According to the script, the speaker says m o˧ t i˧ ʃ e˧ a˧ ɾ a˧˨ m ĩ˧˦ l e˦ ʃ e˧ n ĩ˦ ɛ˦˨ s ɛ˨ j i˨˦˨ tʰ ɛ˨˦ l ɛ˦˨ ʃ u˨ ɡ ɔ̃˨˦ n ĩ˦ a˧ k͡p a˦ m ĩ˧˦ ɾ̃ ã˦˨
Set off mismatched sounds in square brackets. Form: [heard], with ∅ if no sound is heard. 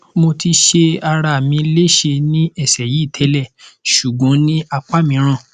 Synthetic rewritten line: m o˧ t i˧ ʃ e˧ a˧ ɾ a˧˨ m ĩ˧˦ l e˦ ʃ e˧ n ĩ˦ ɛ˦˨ s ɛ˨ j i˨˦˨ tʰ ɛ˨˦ l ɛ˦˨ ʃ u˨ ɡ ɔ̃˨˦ n ĩ˦ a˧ k͡p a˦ m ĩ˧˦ ɾ̃ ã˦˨